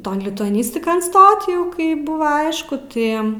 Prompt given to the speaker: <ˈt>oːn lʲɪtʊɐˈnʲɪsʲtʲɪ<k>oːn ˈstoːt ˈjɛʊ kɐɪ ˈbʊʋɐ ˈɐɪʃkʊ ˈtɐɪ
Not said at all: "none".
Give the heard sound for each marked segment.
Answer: t, k

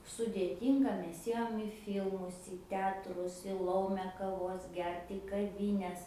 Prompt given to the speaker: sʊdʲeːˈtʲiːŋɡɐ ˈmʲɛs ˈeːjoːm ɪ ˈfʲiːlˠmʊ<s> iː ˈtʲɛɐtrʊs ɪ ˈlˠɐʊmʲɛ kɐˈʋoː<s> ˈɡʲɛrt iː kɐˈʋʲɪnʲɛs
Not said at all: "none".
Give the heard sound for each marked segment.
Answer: s, s

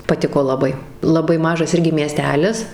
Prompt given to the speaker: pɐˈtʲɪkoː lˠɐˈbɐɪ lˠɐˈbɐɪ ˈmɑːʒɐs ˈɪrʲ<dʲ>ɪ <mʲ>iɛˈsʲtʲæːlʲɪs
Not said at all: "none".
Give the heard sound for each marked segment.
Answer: ɡʲ, mʲ

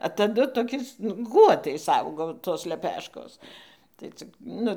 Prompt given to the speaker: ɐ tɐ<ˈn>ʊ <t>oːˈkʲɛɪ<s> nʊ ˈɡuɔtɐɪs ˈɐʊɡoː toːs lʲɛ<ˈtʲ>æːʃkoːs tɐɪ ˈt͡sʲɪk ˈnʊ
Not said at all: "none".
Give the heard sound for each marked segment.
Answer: d, t, s, pʲ

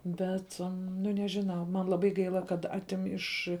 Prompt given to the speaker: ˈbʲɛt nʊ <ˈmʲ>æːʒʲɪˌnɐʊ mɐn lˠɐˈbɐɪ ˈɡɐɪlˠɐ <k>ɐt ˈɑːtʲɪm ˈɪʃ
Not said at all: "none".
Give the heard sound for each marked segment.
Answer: nʲ, k

